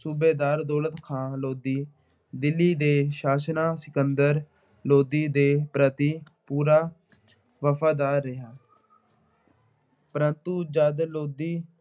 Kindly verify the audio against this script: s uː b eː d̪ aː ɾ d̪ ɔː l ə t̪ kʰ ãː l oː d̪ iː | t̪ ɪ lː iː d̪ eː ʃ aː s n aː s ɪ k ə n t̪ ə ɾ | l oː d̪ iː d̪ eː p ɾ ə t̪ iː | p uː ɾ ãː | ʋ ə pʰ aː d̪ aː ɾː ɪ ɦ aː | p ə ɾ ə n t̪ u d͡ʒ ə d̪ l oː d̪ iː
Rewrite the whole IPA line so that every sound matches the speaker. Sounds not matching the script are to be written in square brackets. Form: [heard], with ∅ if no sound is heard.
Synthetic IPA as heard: s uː b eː d̪ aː ɾ d̪ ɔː l ə t̪ kʰ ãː l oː d̪ iː | [d̪] ɪ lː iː d̪ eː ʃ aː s n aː s ɪ k ə n [d̪] ə ɾ | l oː d̪ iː d̪ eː p ɾ ə t̪ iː | p uː ɾ [aː] | ʋ ə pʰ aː d̪ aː ɾː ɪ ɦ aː | p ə ɾ ə n t̪ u d͡ʒ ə d̪ l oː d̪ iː